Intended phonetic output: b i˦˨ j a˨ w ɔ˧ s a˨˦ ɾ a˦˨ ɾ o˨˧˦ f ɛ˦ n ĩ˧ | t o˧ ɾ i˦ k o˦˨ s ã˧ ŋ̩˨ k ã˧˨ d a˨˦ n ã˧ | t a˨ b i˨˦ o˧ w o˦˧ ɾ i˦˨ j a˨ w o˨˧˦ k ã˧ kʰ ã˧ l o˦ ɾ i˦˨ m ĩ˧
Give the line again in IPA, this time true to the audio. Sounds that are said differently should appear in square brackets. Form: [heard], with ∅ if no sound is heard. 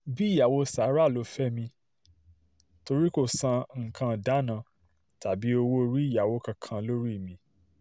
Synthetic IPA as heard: b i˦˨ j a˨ w [o˧] s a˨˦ ɾ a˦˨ [l] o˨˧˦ f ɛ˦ [m] ĩ˧ | t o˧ ɾ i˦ k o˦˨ s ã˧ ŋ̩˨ k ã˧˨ d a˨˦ n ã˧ | t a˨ b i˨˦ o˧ w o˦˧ ɾ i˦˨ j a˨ w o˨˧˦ k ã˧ kʰ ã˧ l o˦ ɾ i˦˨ m ĩ˧